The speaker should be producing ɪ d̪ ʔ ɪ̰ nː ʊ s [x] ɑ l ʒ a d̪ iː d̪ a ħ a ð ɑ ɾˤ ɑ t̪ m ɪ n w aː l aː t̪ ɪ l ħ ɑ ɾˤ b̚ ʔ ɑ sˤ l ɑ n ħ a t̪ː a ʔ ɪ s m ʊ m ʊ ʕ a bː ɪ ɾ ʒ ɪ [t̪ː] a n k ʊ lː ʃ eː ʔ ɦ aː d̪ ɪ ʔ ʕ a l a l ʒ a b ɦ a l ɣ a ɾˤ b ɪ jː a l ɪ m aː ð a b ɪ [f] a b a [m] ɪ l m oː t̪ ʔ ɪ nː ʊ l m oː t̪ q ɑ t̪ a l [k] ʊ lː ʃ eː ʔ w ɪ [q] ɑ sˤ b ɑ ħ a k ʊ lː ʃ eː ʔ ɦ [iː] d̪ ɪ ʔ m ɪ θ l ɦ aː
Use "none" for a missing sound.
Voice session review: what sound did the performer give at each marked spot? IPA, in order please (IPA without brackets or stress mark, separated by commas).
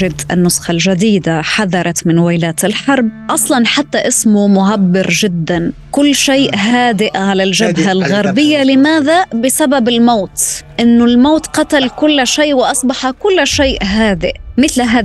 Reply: x, d̪ː, s, b, k, ʔ, aː